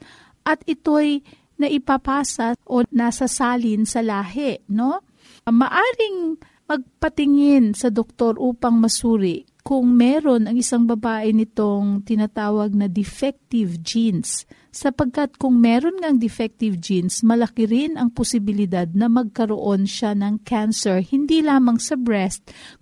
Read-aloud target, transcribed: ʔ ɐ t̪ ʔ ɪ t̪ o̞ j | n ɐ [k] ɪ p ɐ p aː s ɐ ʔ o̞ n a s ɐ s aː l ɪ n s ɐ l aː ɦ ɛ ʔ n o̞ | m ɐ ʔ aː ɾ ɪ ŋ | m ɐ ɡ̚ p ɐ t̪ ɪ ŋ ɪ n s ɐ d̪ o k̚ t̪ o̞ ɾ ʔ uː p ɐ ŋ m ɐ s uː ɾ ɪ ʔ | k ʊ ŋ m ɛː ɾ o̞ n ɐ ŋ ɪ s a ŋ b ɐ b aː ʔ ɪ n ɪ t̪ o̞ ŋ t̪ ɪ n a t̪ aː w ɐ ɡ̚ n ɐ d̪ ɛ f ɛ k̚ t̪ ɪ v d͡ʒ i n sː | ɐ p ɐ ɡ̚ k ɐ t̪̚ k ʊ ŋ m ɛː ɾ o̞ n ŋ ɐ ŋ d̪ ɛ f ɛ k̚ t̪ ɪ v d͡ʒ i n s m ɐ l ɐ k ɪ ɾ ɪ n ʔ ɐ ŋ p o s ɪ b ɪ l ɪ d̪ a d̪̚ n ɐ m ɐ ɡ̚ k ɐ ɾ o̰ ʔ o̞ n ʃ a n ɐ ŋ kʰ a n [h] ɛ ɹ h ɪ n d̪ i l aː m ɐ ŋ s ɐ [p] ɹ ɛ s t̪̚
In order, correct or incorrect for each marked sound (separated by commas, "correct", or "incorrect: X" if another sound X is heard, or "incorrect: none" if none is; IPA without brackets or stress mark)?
incorrect: ʔ, incorrect: s, incorrect: b